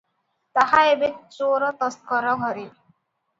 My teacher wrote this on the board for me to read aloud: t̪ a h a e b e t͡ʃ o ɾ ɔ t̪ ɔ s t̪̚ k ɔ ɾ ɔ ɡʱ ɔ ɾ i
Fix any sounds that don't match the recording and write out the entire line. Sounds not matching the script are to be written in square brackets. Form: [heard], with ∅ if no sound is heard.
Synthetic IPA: t̪ a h a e b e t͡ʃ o ɾ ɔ t̪ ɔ s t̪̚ k ɔ ɾ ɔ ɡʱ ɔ ɾ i